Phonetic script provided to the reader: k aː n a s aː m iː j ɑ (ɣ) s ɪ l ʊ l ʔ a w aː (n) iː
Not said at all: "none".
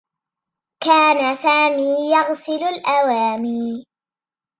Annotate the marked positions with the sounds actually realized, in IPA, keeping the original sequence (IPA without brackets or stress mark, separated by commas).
ɣ, m